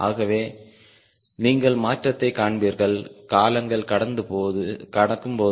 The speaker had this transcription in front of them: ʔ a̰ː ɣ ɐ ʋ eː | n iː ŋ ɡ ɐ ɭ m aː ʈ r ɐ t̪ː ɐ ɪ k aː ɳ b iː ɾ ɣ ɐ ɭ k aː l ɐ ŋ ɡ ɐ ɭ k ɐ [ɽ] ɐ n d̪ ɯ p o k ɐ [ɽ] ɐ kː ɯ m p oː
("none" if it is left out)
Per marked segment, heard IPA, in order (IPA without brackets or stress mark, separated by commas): ɽ, ɽ